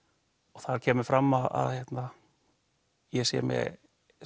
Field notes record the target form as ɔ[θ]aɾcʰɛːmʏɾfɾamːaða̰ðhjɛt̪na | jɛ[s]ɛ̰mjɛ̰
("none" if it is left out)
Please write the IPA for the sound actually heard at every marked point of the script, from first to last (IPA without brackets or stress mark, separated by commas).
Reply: θ, s